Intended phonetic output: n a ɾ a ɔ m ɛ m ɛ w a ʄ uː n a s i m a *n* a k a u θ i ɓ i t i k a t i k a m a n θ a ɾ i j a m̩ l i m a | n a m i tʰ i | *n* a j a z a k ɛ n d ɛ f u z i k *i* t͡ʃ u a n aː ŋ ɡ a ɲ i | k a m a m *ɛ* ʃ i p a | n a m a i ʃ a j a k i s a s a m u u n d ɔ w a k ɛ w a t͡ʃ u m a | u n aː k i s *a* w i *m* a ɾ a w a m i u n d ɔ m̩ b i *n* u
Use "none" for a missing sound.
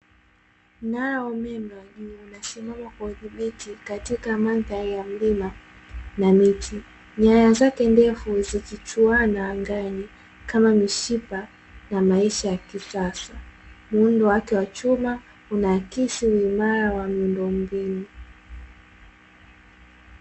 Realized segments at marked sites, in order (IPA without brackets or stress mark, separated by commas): m, ɲ, i, i, i, m, n